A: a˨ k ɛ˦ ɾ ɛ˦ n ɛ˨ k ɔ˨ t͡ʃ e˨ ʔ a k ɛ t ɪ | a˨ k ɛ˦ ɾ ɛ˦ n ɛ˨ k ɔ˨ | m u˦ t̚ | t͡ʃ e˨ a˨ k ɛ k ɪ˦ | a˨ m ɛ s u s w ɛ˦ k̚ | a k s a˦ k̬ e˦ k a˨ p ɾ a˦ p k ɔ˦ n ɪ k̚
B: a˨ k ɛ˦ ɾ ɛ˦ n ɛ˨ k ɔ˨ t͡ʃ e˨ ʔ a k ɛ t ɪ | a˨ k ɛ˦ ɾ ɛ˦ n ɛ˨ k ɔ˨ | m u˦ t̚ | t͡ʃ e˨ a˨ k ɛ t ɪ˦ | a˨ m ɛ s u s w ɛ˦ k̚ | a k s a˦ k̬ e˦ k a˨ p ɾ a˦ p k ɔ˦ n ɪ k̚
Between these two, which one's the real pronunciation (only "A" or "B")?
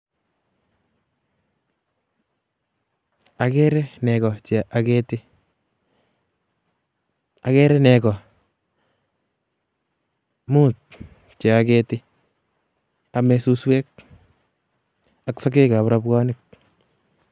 B